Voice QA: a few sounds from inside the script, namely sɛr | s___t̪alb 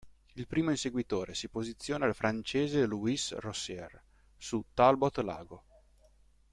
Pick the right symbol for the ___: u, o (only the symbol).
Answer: u